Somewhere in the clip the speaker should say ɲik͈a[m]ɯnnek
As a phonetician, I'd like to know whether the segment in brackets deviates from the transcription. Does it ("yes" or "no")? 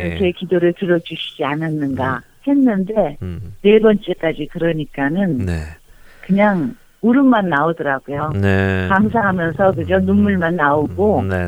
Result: yes